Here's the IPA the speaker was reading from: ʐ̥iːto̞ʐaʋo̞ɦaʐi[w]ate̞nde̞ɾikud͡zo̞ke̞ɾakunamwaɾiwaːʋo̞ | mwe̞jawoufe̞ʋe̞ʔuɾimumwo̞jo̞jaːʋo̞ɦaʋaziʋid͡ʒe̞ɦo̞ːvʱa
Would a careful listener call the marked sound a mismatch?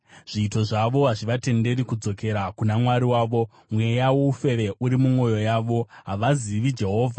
yes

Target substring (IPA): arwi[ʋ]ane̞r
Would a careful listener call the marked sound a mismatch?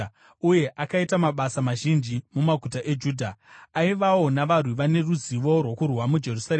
no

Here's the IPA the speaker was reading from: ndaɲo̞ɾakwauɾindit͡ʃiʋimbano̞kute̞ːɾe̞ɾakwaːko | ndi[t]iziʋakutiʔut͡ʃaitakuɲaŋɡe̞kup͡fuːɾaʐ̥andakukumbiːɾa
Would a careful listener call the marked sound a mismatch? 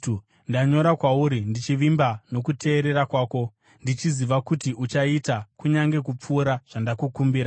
yes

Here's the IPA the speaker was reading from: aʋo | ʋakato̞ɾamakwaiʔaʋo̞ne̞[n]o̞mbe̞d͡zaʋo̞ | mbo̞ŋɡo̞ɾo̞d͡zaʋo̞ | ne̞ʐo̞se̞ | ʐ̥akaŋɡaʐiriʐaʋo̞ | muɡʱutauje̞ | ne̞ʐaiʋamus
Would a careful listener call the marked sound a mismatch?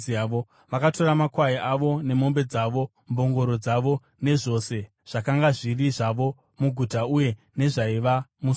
yes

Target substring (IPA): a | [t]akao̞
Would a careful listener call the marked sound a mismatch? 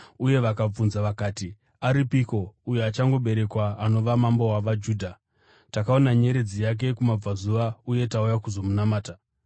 no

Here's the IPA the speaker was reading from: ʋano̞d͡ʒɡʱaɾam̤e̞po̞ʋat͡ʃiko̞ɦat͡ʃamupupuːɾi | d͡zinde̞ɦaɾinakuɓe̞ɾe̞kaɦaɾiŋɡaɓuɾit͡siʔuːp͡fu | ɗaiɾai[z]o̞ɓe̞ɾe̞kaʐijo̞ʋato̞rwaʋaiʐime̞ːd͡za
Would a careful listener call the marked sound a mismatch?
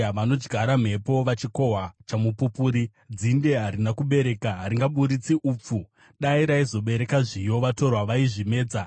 no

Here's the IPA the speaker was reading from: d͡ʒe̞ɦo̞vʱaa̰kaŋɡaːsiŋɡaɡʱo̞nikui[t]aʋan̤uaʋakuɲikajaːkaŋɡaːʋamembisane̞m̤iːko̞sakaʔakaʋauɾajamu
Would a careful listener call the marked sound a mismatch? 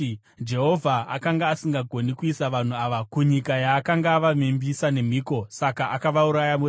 yes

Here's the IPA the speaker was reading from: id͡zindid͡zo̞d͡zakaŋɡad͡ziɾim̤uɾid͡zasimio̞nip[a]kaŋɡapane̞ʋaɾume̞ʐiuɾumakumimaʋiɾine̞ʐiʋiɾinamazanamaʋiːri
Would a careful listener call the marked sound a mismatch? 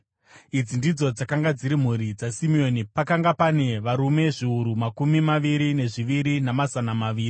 no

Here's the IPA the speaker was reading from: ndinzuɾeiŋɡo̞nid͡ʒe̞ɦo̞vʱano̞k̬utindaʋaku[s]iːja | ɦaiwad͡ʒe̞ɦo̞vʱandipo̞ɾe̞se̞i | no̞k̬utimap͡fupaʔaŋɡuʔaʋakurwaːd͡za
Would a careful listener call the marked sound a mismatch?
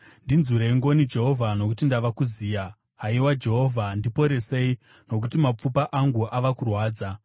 yes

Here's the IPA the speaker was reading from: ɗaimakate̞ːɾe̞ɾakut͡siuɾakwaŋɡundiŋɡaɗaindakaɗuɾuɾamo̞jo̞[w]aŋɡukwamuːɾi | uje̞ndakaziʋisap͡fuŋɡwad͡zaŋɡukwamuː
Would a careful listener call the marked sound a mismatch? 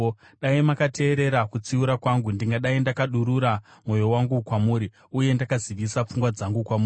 no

